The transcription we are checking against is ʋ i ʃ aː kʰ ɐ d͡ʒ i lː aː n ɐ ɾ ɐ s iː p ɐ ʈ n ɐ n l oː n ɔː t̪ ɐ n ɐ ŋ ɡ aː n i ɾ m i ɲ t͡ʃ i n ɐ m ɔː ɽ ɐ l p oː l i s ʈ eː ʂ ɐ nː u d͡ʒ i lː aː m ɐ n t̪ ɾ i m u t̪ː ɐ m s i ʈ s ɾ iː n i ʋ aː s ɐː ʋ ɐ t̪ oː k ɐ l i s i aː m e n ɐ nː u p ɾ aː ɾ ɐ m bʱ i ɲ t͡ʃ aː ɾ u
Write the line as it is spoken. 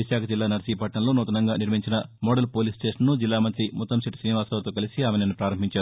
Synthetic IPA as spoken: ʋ i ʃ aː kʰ ɐ d͡ʒ i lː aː n ɐ ɾ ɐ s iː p ɐ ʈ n ɐ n l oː n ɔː t̪ ɐ n ɐ ŋ ɡ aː n i ɾ m i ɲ t͡ʃ i n ɐ m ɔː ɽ ɐ l p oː l i s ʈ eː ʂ ɐ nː u d͡ʒ i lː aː m ɐ n t̪ ɾ i m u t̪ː ɐ m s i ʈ s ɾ iː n i ʋ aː s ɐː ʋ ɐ t̪ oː k ɐ l i s i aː m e n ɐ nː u p ɾ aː ɾ ɐ m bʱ i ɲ t͡ʃ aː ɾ u